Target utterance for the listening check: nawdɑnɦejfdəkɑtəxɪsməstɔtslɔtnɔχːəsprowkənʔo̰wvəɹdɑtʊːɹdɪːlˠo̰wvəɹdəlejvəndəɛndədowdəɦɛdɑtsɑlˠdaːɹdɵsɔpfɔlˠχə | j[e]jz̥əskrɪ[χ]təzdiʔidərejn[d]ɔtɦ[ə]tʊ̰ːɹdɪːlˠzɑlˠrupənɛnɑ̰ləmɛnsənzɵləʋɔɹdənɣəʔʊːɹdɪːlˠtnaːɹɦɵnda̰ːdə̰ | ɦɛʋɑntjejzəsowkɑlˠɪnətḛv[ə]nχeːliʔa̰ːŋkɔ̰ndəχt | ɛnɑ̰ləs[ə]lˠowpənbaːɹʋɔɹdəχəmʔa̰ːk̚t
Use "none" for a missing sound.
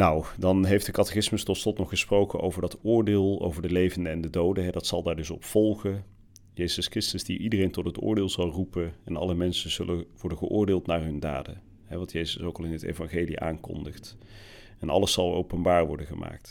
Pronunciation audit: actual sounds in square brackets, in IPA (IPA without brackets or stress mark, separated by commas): e, s, t, ə, ɑ, ɑ